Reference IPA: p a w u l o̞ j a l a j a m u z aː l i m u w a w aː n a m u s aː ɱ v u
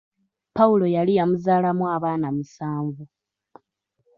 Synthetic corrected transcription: p a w u l o̞ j a l i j a m u z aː l a m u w a β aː n a m u s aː ɱ v u